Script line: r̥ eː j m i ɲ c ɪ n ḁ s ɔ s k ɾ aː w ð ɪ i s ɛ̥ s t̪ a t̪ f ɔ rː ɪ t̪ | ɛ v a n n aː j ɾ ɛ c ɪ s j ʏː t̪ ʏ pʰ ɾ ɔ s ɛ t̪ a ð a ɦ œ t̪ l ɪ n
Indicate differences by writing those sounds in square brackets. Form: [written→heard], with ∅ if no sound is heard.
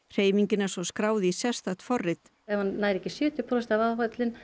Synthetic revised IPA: r̥ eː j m i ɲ c ɪ n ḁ s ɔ s k ɾ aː w ð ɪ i s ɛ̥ s t̪ a t̪ f ɔ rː ɪ t̪ | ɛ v a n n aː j ɾ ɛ c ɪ s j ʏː t̪ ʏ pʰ ɾ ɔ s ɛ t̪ a [ð→v] a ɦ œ t̪ l ɪ n